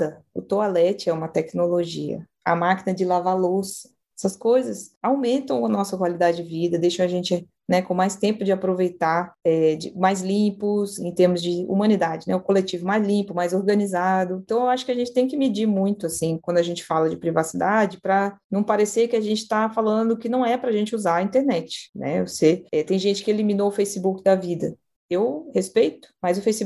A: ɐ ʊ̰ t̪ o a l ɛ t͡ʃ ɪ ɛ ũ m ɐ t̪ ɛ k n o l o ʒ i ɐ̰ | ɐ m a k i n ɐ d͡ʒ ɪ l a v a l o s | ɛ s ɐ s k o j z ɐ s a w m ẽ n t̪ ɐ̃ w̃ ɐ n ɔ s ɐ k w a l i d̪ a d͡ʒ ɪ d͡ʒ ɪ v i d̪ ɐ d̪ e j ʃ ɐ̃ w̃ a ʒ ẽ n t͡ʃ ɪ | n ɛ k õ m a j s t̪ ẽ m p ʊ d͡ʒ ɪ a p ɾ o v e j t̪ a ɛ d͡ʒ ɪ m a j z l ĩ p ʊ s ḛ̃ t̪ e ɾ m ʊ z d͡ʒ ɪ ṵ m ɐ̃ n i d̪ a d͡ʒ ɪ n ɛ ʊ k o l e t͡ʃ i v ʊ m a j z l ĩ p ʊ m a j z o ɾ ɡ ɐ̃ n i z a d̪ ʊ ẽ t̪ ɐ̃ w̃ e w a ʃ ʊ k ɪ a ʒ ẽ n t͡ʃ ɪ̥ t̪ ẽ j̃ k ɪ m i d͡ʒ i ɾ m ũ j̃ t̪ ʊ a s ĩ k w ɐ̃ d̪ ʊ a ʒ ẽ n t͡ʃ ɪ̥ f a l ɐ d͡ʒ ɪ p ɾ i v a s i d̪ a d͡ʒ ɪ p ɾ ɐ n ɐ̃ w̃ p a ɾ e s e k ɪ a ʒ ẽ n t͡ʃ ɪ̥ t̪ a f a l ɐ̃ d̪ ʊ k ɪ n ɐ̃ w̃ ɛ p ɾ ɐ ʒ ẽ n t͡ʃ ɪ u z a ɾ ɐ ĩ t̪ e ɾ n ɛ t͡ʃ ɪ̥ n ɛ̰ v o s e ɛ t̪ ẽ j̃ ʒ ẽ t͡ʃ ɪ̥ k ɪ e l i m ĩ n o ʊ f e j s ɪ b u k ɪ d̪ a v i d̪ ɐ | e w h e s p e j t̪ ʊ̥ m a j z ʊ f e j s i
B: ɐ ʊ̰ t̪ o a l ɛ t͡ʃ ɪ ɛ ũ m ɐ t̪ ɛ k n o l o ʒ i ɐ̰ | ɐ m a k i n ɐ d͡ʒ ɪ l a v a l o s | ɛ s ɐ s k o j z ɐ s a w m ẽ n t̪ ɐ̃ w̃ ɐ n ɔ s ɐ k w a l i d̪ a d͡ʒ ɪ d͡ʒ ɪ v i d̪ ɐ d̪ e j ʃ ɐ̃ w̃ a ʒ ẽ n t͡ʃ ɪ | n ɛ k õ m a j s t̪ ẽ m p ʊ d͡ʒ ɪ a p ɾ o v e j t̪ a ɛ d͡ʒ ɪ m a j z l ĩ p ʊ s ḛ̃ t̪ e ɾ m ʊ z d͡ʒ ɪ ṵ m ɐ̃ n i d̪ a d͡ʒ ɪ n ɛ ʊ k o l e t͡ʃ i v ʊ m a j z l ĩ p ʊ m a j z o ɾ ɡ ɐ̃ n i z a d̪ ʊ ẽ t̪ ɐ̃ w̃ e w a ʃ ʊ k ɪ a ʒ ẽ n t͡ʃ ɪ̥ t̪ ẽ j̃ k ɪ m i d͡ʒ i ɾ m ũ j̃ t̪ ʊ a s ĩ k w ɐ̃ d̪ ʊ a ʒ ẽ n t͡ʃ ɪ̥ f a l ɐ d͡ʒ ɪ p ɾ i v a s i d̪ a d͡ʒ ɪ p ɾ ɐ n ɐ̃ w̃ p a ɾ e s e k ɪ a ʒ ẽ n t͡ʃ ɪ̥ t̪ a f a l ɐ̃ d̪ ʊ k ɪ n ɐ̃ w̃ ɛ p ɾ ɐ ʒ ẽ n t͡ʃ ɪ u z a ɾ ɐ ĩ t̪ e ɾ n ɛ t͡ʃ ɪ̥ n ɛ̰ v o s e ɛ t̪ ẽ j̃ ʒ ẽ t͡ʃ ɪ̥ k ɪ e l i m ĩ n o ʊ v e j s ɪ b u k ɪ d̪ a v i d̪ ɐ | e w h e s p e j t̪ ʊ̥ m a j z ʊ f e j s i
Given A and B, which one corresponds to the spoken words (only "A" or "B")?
A